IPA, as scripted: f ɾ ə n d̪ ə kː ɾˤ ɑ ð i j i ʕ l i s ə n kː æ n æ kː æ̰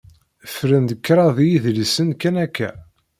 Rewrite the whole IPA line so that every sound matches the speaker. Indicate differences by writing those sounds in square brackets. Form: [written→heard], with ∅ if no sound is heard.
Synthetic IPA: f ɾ ə n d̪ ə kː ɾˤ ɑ ð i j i [ʕ→ð] l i s ə n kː æ n æ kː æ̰